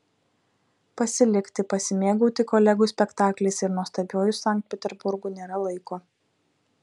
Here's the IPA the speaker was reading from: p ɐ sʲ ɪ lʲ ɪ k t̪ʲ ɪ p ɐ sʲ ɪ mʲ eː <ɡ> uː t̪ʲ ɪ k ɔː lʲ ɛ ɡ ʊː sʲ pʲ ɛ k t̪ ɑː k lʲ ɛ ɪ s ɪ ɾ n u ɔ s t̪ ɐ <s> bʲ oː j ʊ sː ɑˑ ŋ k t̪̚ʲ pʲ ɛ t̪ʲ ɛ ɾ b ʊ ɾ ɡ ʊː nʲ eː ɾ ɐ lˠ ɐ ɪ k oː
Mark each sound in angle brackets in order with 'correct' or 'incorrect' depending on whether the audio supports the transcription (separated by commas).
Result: correct, incorrect